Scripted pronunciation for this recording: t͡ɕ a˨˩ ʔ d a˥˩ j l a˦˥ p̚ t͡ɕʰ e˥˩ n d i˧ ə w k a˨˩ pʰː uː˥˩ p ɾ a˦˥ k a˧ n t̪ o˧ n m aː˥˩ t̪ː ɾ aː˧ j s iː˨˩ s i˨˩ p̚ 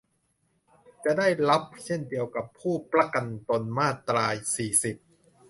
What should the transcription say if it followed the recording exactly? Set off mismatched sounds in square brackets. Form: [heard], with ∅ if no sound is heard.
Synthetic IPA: t͡ɕ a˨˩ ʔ d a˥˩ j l a˦˥ p̚ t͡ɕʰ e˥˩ n d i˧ ə w k a˨˩ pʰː uː˥˩ p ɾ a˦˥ k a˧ n t̪ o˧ n m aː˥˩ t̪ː ɾ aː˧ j s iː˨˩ s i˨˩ p̚

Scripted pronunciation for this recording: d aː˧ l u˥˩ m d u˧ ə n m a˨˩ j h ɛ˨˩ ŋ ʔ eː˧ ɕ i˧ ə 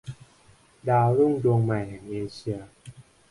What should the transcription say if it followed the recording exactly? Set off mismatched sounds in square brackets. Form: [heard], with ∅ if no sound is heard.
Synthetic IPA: d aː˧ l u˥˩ [ŋ] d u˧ ə [ŋ] m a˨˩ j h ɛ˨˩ ŋ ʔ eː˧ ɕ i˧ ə

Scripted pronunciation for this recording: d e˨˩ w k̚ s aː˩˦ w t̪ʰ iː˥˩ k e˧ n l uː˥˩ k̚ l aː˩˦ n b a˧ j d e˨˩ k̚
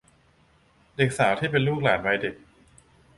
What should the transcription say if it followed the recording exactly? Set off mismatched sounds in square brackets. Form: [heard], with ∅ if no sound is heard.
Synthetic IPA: d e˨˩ [∅] k̚ s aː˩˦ w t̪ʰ iː˥˩ [p] e˧ n l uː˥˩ k̚ l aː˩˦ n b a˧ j d e˨˩ k̚

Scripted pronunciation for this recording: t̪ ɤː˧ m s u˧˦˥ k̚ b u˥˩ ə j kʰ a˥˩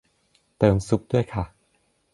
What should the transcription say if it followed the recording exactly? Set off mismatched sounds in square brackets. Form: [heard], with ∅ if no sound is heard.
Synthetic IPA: t̪ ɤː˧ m s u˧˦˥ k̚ [d] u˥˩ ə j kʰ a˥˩

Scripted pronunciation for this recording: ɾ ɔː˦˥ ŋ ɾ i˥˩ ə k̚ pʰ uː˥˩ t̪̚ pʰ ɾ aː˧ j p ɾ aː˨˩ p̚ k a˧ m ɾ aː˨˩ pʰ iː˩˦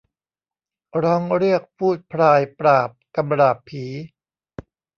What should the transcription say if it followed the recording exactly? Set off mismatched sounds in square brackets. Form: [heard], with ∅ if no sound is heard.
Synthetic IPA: ɾ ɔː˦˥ ŋ ɾ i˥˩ ə k̚ pʰ uː˥˩ t̪̚ pʰ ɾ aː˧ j p ɾ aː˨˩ p̚ k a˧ m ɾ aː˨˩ pʰ iː˩˦

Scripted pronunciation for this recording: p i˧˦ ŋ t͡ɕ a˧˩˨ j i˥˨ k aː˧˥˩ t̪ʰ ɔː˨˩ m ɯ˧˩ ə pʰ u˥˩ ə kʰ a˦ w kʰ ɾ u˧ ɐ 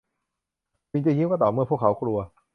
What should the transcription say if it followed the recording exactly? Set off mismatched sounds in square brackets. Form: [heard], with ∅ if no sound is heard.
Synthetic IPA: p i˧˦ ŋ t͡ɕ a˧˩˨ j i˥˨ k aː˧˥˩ [t̪] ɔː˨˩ m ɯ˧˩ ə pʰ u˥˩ ə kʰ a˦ w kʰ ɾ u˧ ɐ

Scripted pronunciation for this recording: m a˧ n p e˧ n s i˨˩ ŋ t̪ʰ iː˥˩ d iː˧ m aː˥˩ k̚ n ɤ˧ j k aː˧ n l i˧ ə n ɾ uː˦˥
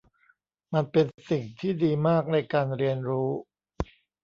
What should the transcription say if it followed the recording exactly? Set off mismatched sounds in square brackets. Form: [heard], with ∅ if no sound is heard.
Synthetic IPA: m a˧ n p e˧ n s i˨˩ ŋ t̪ʰ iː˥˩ d iː˧ m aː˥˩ k̚ n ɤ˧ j k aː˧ n [ɾ] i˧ ə n ɾ uː˦˥

